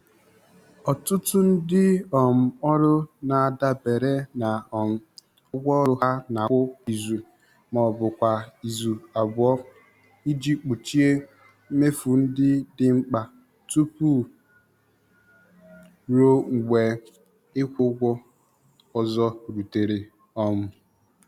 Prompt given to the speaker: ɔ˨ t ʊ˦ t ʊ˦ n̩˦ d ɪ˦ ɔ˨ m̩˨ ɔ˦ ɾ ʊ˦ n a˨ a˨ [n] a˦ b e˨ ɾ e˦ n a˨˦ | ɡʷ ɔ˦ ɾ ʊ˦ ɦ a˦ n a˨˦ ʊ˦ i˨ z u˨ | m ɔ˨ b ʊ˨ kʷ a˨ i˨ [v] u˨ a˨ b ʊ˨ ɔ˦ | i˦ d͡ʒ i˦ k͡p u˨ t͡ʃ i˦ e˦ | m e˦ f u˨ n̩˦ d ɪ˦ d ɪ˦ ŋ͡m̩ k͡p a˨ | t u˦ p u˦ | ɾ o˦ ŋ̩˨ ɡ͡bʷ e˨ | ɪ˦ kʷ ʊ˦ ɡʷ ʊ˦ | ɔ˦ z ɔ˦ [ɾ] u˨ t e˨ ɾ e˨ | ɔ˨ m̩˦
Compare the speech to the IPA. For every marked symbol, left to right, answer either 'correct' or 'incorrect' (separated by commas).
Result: incorrect, incorrect, correct